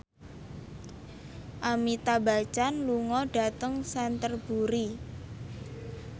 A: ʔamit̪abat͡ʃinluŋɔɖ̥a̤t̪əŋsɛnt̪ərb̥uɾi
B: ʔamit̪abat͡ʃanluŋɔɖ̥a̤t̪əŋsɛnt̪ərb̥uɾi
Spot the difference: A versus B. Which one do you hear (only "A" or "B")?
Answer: B